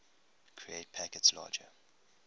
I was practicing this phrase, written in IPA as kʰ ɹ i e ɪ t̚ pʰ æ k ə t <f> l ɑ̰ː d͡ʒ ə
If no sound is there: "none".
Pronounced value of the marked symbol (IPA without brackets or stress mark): s